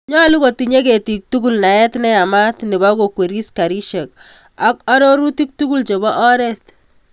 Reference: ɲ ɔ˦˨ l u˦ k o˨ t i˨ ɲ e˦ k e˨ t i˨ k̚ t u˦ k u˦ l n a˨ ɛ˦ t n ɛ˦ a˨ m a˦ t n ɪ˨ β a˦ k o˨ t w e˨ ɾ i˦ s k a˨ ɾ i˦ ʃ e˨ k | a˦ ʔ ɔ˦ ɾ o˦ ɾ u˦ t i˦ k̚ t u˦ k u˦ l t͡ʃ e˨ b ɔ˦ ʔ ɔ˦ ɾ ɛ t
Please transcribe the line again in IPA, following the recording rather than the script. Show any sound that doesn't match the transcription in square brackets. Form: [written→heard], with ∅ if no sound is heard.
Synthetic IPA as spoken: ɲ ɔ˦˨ l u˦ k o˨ t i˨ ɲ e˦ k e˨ t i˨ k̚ t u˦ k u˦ l n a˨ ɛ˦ t n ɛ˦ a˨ m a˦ t n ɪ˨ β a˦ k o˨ [t→k] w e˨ ɾ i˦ s k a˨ ɾ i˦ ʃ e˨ k | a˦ [ʔ→k] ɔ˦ ɾ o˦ ɾ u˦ t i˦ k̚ t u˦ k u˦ l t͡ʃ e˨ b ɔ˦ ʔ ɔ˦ ɾ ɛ t